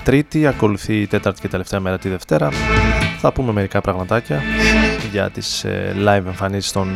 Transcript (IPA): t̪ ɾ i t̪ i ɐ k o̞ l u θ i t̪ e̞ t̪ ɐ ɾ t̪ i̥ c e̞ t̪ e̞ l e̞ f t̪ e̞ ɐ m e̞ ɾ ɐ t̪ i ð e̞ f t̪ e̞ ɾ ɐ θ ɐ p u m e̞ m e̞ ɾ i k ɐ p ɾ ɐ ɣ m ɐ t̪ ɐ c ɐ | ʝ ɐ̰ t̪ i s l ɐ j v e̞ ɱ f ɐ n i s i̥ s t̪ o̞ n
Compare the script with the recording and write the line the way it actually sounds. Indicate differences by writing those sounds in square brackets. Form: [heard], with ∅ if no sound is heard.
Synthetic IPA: t̪ ɾ i t̪ i ɐ k o̞ l u θ i t̪ e̞ t̪ ɐ ɾ t̪ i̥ c e̞ t̪ e̞ l e̞ f t̪ e̞ ɐ m e̞ ɾ ɐ t̪ i ð e̞ f t̪ e̞ ɾ ɐ θ ɐ p u m e̞ m e̞ ɾ i k ɐ p ɾ ɐ ɣ m ɐ t̪ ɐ c ɐ | ʝ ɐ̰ t̪ i s l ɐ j v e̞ ɱ f ɐ n i s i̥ s t̪ o̞ n